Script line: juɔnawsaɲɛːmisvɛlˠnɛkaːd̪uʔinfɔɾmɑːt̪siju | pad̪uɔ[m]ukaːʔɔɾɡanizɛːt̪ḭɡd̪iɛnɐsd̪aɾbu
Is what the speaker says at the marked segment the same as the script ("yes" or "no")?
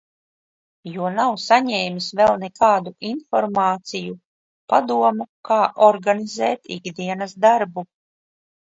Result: yes